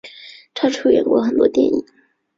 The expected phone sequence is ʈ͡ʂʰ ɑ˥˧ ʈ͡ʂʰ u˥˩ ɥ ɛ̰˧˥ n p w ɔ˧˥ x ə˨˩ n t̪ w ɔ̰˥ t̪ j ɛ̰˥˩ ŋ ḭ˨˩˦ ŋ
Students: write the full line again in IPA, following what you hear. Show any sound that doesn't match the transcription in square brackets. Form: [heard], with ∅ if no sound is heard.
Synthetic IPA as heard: ʈ͡ʂʰ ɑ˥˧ ʈ͡ʂʰ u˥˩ ɥ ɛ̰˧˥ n [k] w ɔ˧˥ x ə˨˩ n t̪ w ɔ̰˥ t̪ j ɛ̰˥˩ [n] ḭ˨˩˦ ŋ